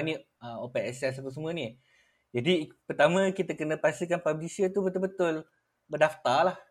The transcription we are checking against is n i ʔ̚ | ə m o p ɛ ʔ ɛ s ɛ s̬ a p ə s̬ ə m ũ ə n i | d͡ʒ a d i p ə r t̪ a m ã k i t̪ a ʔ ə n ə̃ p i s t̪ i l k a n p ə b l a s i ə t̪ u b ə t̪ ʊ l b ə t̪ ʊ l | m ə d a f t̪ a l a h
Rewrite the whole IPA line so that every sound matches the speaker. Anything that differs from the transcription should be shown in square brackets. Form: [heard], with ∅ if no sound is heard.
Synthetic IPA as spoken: n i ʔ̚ | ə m o p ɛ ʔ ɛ s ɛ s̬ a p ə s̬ ə m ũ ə n i | d͡ʒ a d i p ə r t̪ a m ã k i t̪ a [k] ə n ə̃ p [a] s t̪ i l k a n p [a] b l [i] s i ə t̪ u b ə t̪ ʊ l b ə t̪ ʊ l | [b] ə d a f t̪ a l a h